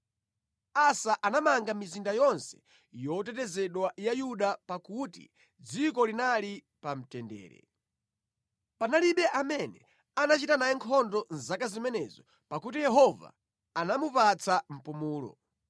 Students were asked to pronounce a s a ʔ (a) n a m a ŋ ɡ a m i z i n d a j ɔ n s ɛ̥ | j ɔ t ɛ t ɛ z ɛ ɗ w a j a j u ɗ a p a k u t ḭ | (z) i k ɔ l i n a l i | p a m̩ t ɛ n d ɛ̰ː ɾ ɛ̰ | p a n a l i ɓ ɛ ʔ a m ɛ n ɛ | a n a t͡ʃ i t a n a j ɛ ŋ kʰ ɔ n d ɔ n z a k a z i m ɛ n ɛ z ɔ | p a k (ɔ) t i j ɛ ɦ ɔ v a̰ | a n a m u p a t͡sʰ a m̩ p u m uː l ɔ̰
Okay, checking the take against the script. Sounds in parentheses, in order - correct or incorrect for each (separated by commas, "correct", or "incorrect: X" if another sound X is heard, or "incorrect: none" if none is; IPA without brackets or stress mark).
correct, incorrect: d͡z, incorrect: u